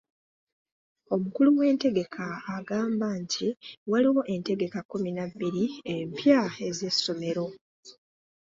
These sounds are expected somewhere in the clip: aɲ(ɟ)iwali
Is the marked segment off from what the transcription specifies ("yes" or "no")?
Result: yes